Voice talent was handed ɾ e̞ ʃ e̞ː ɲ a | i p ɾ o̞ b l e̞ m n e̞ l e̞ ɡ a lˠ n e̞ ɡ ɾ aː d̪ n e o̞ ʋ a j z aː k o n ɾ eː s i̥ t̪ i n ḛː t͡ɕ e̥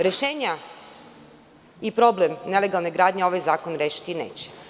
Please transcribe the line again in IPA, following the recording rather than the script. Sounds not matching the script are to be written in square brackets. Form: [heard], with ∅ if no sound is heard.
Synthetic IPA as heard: ɾ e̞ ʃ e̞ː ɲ a | i p ɾ o̞ b l e̞ m n e̞ l e̞ ɡ a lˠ n e̞ ɡ ɾ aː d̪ [ɲ] e o̞ ʋ a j z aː k o n ɾ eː [ʃ] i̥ t̪ i n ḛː t͡ɕ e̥